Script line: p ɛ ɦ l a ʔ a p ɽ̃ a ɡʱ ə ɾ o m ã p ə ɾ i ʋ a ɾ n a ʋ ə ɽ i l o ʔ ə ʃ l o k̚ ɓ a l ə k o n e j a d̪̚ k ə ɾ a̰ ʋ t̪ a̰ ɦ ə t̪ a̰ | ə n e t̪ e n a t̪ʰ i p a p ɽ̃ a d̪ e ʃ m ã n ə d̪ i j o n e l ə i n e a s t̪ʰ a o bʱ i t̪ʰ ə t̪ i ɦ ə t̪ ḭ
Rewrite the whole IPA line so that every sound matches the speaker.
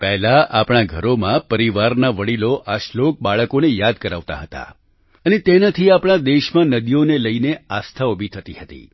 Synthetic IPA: p ɛ ɦ l a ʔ a p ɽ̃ a ɡʱ ə ɾ o m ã p ə ɾ i ʋ a ɾ n a ʋ ə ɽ i l o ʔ a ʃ l o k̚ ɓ a ɭ ə k o n e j a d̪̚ k ə ɾ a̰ ʋ t̪ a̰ ɦ ə t̪ a̰ | ə n e t̪ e n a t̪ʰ i a p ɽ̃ a d̪ e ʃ m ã n ə d̪ i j o n e l ə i n e a s t̪ʰ a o bʱ i t̪ʰ ə t̪ i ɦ ə t̪ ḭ